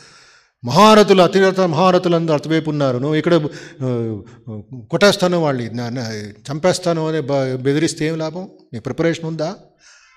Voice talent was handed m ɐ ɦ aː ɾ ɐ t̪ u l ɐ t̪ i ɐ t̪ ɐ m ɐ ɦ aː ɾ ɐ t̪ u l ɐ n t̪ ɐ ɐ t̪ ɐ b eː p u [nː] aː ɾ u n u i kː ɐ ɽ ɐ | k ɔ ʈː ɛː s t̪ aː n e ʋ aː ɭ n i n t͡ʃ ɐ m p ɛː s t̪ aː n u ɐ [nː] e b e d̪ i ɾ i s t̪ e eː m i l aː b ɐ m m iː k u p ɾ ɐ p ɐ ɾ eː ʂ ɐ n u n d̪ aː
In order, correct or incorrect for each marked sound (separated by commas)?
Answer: correct, incorrect